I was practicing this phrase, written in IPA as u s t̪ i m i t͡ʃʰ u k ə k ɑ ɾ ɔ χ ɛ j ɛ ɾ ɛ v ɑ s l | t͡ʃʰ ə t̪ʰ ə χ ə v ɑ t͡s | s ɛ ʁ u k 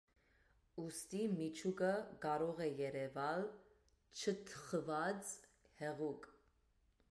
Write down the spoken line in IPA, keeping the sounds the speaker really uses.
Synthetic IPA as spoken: u s t̪ i m i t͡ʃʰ u k ə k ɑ ɾ ɔ ʁ ɛ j ɛ ɾ ɛ v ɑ l | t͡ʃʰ ə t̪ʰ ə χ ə v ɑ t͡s | h ɛ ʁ u k